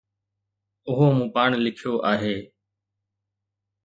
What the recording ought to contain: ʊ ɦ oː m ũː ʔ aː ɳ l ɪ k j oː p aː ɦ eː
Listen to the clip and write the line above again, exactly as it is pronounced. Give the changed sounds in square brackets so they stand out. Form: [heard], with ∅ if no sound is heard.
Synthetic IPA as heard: ʊ ɦ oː m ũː [p] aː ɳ l ɪ [kʰ] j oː [ʔ] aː ɦ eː